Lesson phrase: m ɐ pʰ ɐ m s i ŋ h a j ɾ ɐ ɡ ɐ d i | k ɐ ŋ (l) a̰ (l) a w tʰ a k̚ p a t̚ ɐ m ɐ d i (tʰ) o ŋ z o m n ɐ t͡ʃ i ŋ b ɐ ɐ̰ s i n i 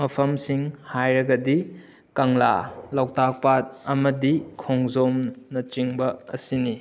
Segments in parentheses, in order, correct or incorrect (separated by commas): correct, correct, incorrect